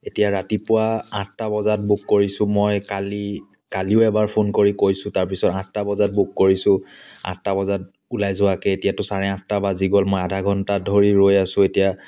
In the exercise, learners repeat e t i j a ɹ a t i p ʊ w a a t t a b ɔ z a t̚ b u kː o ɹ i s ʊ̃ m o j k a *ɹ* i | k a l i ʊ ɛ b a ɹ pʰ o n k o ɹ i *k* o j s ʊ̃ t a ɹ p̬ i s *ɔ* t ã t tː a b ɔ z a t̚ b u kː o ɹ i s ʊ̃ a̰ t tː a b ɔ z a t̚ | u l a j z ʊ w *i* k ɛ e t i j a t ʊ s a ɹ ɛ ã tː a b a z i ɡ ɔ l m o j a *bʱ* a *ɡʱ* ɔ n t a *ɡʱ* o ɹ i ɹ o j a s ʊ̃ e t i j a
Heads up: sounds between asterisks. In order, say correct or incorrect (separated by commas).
incorrect, correct, correct, incorrect, incorrect, correct, incorrect